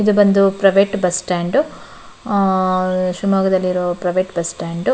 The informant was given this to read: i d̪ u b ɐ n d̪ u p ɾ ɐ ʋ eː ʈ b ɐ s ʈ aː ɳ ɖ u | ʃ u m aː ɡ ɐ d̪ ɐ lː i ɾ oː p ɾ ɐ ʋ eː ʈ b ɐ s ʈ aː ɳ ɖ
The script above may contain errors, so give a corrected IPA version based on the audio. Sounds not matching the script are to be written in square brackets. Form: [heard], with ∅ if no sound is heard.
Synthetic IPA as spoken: i d̪ u b ɐ n d̪ u p ɾ ɐ ʋ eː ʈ b ɐ s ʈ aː ɳ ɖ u | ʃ u m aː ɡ ɐ d̪ ɐ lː i ɾ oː p ɾ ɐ ʋ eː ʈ b ɐ s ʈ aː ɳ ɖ